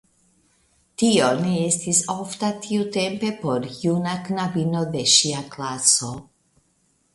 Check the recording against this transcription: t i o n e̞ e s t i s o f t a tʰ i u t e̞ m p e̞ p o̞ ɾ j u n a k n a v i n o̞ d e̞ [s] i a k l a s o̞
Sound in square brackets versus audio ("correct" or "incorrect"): incorrect